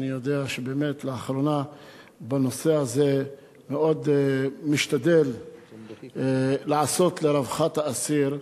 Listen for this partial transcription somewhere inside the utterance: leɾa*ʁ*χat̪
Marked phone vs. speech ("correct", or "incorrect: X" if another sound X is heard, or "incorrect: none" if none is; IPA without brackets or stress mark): incorrect: v